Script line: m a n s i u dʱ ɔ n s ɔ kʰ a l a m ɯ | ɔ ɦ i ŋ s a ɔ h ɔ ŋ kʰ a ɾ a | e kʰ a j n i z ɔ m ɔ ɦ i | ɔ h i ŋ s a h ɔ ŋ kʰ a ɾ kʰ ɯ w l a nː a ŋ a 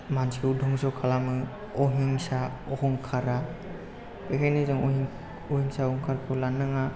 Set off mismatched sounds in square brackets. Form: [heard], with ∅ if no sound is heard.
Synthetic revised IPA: m a n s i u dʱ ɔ [ŋ] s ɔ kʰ a l a m ɯ | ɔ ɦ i ŋ s a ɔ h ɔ ŋ kʰ a ɾ a | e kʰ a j n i z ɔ [ŋ] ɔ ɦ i | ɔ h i ŋ s a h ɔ ŋ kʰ a ɾ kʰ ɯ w l a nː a ŋ a